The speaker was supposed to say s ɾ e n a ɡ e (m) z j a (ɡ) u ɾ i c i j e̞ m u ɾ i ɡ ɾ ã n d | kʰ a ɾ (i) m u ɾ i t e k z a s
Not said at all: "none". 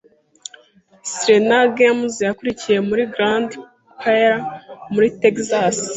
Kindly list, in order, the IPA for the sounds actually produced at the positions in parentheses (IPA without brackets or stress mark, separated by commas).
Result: m, k, a